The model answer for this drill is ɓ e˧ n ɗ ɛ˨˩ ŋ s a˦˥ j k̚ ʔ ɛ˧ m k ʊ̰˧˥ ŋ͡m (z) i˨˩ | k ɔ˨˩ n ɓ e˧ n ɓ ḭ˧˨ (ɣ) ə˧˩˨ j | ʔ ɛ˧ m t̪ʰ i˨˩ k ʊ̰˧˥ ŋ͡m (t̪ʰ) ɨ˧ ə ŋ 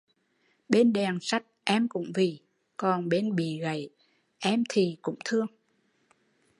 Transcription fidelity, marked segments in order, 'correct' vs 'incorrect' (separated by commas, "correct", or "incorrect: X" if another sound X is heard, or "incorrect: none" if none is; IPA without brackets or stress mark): incorrect: v, correct, correct